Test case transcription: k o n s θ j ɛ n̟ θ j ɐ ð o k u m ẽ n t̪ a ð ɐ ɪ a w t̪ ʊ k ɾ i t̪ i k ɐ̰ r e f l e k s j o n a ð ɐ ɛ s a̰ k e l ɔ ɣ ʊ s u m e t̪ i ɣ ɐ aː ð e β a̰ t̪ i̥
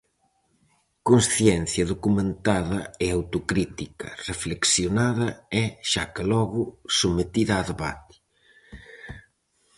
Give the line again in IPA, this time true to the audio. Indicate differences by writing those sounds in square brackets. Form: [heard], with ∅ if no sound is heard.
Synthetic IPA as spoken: k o n s θ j ɛ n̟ θ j ɐ ð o k u m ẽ n t̪ a ð ɐ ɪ a w t̪ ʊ k ɾ i t̪ i k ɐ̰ r e f l e k s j o n a ð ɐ ɛ [ʃ] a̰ k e l ɔ ɣ ʊ s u m e t̪ i [ð] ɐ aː ð e β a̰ t̪ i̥